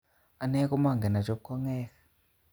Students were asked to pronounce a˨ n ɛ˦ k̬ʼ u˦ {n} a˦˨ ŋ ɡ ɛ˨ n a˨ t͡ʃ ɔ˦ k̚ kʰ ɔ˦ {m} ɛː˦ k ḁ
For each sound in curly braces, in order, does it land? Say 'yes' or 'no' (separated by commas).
no, no